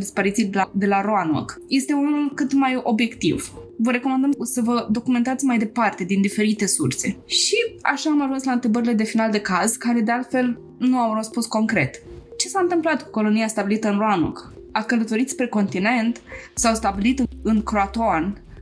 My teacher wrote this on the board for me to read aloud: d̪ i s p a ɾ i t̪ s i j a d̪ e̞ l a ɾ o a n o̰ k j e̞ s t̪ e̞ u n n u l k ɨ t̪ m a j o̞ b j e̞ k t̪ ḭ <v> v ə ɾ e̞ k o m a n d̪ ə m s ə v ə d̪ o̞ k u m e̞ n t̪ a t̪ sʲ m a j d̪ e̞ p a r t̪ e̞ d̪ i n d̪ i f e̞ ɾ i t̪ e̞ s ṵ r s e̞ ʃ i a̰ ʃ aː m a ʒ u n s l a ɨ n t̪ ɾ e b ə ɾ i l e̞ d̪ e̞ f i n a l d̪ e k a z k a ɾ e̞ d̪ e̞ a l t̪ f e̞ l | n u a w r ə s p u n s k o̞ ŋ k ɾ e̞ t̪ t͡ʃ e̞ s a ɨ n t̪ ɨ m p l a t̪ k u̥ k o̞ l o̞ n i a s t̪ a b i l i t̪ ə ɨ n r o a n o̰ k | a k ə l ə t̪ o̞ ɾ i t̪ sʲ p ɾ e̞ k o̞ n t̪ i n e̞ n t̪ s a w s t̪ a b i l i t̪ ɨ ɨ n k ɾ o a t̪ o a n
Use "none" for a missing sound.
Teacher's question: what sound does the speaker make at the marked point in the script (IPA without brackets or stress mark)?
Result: v